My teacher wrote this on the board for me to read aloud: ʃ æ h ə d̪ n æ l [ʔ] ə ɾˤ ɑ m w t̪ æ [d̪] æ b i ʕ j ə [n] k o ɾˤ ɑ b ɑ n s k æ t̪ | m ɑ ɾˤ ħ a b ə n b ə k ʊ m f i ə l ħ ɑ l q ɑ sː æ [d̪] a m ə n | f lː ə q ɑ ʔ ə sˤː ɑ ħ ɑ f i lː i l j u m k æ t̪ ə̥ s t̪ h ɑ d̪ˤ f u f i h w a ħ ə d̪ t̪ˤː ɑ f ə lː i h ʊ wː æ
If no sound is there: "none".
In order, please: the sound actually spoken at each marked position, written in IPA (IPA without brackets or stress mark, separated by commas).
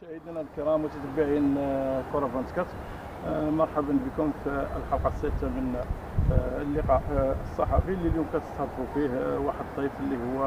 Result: k, t̪, n, t̪